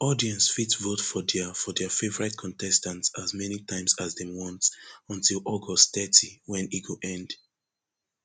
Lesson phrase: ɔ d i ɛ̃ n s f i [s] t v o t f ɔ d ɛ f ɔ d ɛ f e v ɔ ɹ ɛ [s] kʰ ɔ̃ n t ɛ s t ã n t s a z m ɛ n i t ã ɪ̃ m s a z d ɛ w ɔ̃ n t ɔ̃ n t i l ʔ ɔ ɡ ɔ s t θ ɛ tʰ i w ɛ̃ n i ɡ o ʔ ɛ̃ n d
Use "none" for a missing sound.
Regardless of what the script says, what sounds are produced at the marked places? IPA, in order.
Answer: none, t

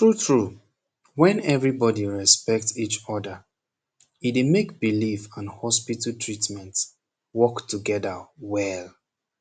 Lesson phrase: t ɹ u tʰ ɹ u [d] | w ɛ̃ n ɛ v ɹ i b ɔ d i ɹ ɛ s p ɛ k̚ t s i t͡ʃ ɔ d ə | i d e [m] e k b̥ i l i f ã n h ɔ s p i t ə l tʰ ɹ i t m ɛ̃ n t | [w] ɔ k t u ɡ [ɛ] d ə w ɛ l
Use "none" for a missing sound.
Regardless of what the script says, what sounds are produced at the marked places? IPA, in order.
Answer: none, m, w, ɛ

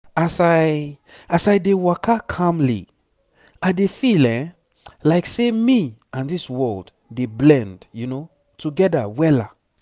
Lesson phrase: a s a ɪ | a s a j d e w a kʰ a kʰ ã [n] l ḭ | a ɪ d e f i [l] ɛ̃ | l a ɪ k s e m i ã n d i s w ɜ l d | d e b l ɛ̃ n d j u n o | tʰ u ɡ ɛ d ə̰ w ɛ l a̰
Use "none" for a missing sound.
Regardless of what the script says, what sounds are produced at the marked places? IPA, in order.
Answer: m, l

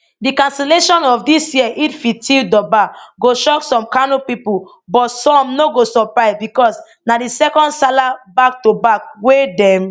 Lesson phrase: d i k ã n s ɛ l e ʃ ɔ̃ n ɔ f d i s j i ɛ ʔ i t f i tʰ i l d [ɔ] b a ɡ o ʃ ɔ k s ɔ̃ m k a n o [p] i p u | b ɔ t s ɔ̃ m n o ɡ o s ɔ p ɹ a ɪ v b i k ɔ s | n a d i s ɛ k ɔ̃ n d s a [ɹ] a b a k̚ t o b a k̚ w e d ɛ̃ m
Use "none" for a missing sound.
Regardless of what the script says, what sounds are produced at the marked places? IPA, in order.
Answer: ɔ, p, l

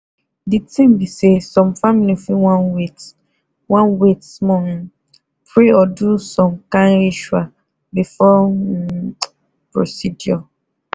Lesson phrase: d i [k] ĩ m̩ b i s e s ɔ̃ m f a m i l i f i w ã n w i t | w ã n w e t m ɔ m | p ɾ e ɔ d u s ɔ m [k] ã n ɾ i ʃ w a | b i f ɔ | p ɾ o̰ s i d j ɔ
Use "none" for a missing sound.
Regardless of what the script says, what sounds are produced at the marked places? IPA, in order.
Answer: t, k

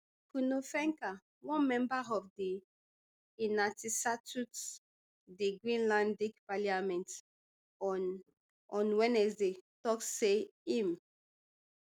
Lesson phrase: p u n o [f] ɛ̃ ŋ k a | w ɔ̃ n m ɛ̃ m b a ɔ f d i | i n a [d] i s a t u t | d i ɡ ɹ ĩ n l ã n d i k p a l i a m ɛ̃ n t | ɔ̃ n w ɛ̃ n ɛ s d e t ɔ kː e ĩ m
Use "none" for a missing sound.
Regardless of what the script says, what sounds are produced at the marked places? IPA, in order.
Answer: f, t

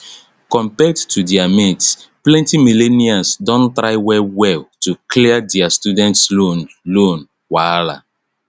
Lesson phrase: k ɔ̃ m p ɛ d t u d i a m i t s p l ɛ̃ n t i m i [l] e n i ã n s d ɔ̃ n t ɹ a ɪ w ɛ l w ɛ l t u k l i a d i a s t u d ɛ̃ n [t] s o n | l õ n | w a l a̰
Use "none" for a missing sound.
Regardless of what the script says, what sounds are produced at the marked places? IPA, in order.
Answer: l, t

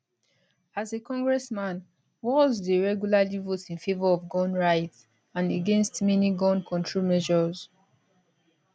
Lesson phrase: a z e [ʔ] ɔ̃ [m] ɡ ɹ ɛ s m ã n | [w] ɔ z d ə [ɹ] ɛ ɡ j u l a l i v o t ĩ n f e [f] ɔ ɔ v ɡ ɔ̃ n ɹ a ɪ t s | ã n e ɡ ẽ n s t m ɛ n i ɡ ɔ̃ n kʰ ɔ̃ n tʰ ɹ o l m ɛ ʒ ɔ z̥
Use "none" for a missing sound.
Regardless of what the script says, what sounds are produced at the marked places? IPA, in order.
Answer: k, ŋ, w, ɹ, v

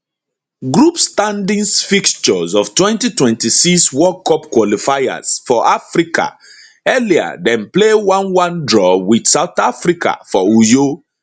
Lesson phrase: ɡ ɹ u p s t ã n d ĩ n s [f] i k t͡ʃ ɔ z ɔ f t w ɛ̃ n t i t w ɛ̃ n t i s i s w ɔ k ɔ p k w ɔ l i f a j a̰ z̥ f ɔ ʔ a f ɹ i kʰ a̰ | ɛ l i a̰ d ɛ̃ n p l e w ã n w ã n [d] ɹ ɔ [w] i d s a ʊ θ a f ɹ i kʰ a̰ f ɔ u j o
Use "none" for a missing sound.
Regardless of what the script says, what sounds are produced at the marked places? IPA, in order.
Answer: f, d, w

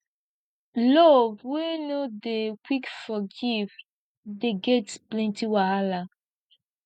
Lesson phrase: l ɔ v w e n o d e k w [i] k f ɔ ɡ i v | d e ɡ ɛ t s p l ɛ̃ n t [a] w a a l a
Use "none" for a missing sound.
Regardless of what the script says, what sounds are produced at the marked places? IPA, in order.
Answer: i, i

